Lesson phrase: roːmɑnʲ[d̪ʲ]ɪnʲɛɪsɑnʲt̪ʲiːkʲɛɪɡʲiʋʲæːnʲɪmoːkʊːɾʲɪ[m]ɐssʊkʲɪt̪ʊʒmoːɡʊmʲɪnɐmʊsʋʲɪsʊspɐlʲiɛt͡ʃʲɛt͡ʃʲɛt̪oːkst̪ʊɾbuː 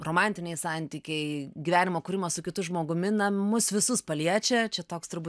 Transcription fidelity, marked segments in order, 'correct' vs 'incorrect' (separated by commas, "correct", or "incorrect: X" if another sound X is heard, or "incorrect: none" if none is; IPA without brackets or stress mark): incorrect: t̪ʲ, correct